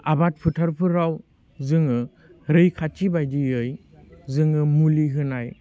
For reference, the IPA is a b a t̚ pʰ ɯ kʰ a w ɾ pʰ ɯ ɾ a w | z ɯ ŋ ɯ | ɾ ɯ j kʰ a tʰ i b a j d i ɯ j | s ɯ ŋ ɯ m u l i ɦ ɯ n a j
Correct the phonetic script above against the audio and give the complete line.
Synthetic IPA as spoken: a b a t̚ pʰ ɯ tʰ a ɾ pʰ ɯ ɾ a w | z ɯ ŋ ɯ | ɾ ɯ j kʰ a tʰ i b a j d i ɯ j | z ɯ ŋ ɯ m u l i ɦ ɯ n a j